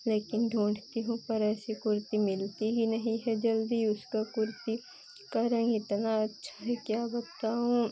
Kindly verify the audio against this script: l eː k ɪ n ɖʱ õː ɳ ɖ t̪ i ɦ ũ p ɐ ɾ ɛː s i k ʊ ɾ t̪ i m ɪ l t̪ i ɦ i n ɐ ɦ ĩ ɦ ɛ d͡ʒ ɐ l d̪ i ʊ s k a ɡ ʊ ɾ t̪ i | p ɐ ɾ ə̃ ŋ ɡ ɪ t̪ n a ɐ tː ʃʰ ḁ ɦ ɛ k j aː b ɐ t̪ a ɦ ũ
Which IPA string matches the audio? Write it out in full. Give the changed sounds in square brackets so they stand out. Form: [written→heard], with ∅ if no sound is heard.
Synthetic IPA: l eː k ɪ n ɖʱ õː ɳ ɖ t̪ i ɦ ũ p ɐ ɾ ɛː s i k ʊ ɾ t̪ i m ɪ l t̪ i ɦ i n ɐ ɦ ĩ ɦ ɛ d͡ʒ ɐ l d̪ i ʊ s k a [ɡ→k] ʊ ɾ t̪ i | [p→k] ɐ ɾ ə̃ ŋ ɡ ɪ t̪ n a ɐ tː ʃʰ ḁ ɦ ɛ k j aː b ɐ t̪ a ɦ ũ